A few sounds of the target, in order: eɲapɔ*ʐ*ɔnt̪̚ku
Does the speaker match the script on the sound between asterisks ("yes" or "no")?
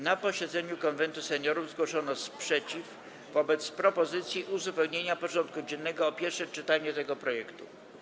yes